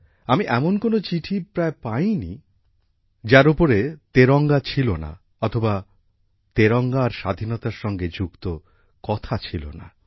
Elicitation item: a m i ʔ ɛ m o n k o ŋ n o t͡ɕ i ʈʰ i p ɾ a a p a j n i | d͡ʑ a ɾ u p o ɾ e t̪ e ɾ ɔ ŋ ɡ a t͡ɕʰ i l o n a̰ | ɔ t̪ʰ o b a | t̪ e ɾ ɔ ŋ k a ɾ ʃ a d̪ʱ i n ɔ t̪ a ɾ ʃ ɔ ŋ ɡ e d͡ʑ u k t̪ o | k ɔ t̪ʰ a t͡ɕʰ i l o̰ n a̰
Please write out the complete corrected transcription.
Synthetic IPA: a m i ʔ ɛ m o n k o n o t͡ɕ i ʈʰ i p ɾ a e p a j n i | d͡ʑ a ɾ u p o ɾ e t̪ e ɾ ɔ ŋ ɡ a t͡ɕʰ i l o n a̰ | ɔ t̪ʰ o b a | t̪ e ɾ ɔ ŋ ɡ a ɾ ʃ a d̪ʱ i n ɔ t̪ a ɾ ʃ ɔ ŋ ɡ e d͡ʑ u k t̪ o | k ɔ t̪ʰ a t͡ɕʰ i l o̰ n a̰